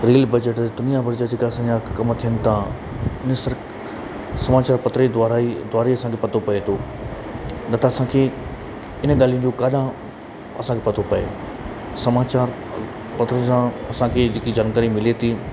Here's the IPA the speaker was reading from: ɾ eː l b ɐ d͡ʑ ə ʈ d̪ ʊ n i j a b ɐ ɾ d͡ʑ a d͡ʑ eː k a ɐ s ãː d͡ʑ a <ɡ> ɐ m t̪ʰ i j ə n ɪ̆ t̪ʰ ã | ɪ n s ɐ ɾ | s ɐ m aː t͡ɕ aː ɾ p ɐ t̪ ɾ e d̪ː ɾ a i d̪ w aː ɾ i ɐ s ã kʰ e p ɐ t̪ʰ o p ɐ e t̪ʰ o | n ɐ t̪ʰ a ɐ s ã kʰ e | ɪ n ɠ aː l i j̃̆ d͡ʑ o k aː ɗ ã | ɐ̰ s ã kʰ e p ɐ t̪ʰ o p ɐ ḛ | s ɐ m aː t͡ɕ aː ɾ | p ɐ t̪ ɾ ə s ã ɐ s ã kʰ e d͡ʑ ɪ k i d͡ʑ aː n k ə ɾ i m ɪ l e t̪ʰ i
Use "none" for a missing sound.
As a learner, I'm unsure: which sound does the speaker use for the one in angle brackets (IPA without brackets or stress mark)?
k